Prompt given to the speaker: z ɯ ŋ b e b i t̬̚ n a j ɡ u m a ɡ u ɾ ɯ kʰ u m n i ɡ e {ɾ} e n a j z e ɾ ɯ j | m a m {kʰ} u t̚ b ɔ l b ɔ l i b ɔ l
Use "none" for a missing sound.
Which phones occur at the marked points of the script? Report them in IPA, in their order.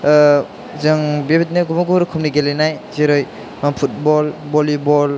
l, pʰ

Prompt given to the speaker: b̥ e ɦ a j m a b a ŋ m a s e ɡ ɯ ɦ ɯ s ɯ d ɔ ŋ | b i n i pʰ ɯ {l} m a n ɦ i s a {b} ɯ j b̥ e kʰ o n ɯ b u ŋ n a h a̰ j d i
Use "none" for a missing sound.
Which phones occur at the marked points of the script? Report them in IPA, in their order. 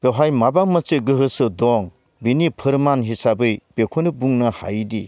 ɾ, b

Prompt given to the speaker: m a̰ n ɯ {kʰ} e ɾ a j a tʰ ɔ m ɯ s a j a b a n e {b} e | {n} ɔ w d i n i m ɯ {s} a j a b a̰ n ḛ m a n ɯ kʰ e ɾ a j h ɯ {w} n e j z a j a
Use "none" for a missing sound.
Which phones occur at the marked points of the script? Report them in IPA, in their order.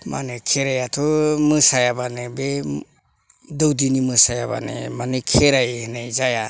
kʰ, b, d, s, none

